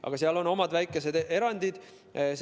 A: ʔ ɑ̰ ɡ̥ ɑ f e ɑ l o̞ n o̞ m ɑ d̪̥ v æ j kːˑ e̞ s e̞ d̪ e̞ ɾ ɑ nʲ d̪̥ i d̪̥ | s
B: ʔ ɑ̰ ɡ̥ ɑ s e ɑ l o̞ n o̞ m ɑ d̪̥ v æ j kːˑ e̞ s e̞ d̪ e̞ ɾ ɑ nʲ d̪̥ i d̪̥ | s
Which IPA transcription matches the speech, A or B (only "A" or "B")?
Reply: B